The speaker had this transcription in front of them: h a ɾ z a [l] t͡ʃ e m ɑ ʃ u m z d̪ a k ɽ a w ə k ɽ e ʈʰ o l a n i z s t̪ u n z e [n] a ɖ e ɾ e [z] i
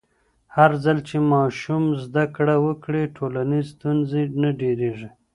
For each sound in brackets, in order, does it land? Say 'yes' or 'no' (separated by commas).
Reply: yes, yes, no